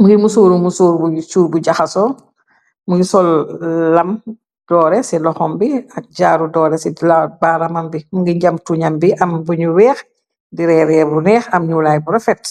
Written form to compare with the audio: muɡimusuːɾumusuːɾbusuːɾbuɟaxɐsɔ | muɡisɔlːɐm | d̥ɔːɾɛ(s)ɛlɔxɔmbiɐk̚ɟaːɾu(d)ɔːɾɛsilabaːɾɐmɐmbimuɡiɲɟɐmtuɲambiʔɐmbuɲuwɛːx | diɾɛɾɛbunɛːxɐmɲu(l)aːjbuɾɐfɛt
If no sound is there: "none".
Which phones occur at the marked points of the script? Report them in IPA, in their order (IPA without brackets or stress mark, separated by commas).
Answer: s, d, l